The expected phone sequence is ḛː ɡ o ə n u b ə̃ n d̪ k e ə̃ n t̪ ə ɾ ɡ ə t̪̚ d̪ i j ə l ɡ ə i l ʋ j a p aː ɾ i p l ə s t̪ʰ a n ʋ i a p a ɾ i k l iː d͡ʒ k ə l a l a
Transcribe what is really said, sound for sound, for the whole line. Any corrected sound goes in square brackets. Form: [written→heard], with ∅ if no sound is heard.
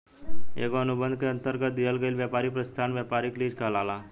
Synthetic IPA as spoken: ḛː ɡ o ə n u b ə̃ n d̪ k e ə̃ n t̪ ə ɾ ɡ ə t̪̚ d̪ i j ə l ɡ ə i l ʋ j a p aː ɾ i p [l→ɾ] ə s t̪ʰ a n ʋ [i→j] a p a ɾ i k l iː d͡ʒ k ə l a l a